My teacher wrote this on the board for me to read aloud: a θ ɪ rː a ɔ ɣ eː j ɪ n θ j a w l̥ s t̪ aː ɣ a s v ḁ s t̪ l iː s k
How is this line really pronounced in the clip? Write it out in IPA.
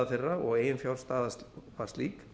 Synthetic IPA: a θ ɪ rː a ɔ ɣ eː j ɪ n f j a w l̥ s t̪ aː ð a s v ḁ s t̪ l iː k